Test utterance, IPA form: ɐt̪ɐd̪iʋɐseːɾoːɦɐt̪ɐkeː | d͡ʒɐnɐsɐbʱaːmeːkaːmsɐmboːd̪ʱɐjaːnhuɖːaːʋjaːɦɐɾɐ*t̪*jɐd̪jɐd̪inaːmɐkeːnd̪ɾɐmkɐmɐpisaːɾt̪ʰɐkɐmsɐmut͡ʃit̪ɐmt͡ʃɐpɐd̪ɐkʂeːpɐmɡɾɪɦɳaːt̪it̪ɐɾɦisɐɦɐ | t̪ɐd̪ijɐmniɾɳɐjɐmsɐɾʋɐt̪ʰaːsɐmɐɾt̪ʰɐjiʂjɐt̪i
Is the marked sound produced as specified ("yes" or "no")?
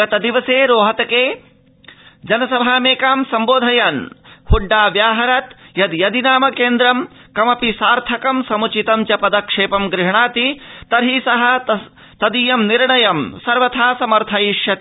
yes